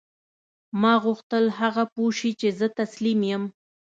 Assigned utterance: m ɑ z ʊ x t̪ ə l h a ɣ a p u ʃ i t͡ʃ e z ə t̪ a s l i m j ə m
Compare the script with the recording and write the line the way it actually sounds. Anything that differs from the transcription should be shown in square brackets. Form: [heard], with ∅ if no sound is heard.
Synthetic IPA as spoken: m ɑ [ɣ] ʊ x t̪ ə l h a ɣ a p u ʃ i t͡ʃ e z ə t̪ a s l i m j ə m